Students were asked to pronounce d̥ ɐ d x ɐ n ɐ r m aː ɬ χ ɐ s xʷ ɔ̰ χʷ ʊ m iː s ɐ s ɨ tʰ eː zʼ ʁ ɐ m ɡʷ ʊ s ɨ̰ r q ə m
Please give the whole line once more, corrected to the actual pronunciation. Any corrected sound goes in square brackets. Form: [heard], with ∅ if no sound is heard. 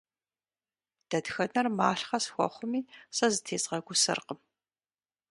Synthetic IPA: d̥ ɐ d x ɐ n ɐ r m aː ɬ χ ɐ s xʷ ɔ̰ χʷ ʊ m iː s ɐ [z] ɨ tʰ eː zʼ ʁ ɐ [∅] ɡʷ ʊ s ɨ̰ r q ə m